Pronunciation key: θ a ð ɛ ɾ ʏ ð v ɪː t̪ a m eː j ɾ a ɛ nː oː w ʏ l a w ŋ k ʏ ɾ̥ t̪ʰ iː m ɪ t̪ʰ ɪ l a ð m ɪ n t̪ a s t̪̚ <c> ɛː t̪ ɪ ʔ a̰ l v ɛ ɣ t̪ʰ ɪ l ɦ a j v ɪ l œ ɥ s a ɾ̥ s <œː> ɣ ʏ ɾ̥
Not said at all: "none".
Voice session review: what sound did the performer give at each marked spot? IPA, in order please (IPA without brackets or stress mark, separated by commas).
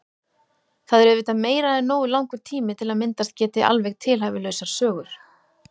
c, œː